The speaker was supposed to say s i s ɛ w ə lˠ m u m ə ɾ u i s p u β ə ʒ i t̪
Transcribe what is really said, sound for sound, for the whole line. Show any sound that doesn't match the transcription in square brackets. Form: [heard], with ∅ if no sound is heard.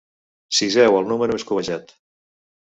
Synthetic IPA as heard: s i [z] ɛ w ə lˠ [n] u m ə ɾ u [e] s [k] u β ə ʒ [a] t̪

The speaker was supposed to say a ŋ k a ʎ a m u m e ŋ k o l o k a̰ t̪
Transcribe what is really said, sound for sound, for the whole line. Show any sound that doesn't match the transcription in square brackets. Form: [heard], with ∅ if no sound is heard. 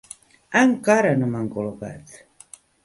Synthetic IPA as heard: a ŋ k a [ɾ] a [n] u m [a] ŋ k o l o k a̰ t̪

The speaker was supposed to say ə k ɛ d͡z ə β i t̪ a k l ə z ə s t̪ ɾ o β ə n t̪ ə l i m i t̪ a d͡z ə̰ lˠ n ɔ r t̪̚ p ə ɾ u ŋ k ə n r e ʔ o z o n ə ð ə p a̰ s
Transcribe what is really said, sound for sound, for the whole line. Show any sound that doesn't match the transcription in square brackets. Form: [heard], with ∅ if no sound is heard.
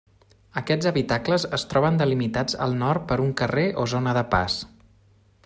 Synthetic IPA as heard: ə k ɛ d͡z ə β i t̪ a k l ə z ə s t̪ ɾ [ɔ] β ə n [d̪] ə l i m i t̪ a d͡z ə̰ lˠ n ɔ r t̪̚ p ə ɾ u ŋ k ə [∅] r e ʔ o z o n ə ð ə p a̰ s

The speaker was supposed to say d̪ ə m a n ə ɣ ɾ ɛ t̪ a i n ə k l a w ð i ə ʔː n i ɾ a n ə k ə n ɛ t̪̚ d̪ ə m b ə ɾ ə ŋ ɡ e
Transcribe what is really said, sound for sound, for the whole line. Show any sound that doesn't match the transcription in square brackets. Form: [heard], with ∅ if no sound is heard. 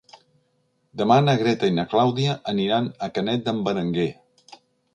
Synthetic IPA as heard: d̪ ə m a n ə ɣ ɾ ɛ t̪ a i n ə k l a w ð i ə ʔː n i ɾ a n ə k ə n ɛ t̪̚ d̪ ə m b ə ɾ ə ŋ ɡ e

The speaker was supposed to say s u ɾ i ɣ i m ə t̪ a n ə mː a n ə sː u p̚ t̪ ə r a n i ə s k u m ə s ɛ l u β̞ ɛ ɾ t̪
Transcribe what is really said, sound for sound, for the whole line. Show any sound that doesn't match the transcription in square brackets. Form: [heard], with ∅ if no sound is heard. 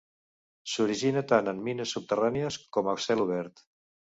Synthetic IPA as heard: s u ɾ i [ʒ] i [n] ə t̪ a n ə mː [i] n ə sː u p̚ t̪ ə r a n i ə s k [ɔ] m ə s ɛ l u β̞ ɛ ɾ t̪

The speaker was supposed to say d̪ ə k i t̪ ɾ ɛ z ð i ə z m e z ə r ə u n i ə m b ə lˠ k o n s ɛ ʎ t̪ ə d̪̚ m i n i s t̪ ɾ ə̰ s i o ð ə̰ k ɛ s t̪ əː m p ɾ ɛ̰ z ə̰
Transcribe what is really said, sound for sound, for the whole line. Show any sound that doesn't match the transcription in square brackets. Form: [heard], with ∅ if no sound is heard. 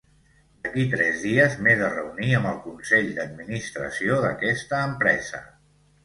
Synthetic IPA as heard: d̪ ə k i t̪ ɾ ɛ z ð i ə z m e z ə r ə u n i ə m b ə lˠ k [u] n s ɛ ʎ [d̪] ə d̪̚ m i n i s t̪ ɾ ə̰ s i o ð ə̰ k ɛ s t̪ əː m p ɾ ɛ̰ z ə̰

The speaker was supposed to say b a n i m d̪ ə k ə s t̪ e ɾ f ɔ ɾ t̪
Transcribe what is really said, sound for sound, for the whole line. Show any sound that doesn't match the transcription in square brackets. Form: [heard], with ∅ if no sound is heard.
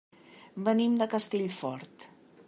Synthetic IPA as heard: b [ə] n i m d̪ ə k ə s t̪ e [ʎ] f ɔ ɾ t̪

